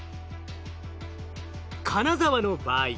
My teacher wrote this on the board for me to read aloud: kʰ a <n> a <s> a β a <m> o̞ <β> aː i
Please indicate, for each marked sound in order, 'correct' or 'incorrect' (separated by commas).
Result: correct, incorrect, incorrect, incorrect